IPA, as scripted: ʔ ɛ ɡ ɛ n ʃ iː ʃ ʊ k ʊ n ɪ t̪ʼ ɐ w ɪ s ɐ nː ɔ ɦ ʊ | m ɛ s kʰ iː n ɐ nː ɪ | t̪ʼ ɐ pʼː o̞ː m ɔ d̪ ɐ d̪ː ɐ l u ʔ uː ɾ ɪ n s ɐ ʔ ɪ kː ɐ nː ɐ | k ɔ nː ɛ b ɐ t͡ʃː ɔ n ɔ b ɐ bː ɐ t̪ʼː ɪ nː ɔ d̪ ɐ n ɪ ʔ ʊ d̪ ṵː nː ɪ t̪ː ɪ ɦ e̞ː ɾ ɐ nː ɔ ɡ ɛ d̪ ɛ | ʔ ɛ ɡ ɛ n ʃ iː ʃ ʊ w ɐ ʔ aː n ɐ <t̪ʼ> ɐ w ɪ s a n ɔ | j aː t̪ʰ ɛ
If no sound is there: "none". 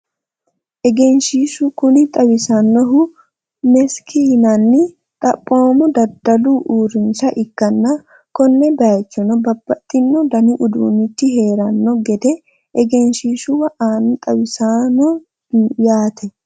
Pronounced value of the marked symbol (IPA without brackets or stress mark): t̪ʼ